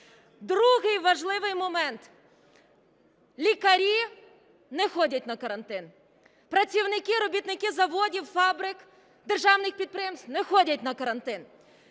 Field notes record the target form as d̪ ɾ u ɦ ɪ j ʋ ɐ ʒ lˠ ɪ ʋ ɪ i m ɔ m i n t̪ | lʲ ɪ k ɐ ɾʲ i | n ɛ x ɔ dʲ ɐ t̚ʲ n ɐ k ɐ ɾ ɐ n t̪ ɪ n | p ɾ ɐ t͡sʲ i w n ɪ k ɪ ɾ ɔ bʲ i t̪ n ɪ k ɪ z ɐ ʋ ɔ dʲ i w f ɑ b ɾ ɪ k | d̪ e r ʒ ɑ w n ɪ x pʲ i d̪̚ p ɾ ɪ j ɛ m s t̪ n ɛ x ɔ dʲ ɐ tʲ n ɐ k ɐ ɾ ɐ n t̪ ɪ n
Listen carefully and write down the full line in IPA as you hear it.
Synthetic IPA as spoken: d̪ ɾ u ɦ ɪ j ʋ ɐ ʒ lˠ ɪ ʋ ɪ j m ɔ m ɛ n t̪ | lʲ i k ɐ ɾʲ i | n ɛ x ɔ dʲ ɐ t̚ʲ n ɐ k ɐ ɾ ɐ n t̪ ɪ n | p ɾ ɐ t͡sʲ i w n ɪ k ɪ ɾ ɔ bʲ i t̪ n ɪ k ɪ z ɐ ʋ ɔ dʲ i w f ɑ b ɾ ɪ k | d̪ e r ʒ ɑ w n ɪ x pʲ i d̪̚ p ɾ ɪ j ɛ m s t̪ n ɛ x ɔ dʲ ɐ tʲ n ɐ k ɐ ɾ ɐ n t̪ ɪ n